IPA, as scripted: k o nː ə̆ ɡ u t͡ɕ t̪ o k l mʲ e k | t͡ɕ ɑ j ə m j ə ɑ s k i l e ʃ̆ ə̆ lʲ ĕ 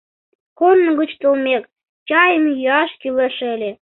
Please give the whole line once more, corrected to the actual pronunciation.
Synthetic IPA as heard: k o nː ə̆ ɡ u t͡ɕ t̪ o l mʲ e k | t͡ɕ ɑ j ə m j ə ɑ ʃ k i l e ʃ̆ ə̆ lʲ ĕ